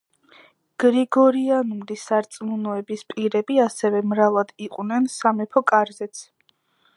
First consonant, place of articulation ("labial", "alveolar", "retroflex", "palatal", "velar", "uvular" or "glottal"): velar